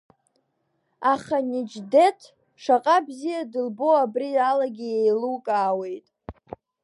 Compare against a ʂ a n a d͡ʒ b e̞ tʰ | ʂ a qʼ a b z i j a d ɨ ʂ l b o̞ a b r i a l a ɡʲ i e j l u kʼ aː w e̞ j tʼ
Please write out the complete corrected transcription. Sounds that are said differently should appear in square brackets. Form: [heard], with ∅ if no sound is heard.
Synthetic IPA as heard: a [χ] a n [i] d͡ʒ [d] e̞ tʰ | ʂ a qʼ a b z i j a d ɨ [∅] l b o̞ a b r i a l a ɡʲ i e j l u kʼ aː w e̞ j tʼ